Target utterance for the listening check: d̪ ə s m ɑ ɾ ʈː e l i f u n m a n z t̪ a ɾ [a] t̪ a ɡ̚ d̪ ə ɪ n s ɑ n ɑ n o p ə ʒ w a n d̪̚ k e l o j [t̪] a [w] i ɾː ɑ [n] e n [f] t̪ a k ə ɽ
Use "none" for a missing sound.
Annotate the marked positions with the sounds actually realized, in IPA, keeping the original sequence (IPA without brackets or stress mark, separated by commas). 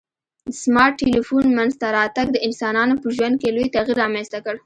ɑ, t̪, ɣ, m, s